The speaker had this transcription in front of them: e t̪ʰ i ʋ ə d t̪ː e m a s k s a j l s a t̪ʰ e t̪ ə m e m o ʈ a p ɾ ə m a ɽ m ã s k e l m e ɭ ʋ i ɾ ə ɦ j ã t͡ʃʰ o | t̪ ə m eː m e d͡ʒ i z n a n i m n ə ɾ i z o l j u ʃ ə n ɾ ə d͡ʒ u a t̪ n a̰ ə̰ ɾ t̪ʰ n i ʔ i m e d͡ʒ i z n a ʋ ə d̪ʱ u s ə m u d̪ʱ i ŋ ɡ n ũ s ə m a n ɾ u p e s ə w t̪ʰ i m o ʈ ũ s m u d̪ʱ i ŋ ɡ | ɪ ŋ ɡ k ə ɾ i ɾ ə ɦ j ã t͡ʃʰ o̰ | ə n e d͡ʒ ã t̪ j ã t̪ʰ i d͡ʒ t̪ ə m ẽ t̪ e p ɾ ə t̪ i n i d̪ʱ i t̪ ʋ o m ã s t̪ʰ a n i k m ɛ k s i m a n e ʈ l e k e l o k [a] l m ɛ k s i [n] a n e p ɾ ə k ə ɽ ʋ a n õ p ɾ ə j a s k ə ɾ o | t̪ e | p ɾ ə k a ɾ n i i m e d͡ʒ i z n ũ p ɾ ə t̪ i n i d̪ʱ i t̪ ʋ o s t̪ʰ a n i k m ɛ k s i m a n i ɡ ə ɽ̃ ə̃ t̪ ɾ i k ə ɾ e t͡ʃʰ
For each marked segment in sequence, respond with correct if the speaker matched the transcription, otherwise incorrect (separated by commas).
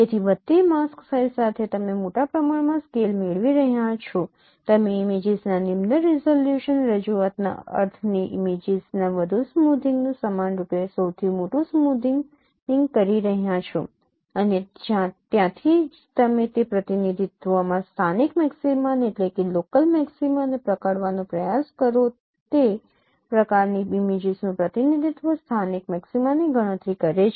incorrect, incorrect